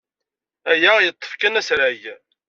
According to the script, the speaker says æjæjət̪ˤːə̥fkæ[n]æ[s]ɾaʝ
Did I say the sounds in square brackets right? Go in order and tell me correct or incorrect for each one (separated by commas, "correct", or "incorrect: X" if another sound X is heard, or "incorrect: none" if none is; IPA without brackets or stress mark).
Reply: correct, correct